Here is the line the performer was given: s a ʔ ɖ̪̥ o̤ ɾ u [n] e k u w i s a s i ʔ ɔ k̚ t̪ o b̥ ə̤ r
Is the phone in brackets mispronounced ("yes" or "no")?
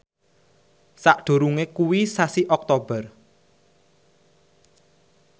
yes